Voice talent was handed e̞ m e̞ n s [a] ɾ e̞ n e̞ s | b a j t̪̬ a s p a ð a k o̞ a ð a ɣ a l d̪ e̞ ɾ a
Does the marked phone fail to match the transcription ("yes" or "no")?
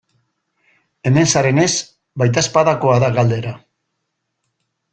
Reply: no